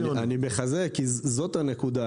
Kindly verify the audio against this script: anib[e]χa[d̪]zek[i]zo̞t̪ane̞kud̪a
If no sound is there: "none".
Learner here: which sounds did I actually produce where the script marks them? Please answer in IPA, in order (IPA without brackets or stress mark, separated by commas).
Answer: e, none, i